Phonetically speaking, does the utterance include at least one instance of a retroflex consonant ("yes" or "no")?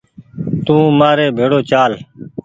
yes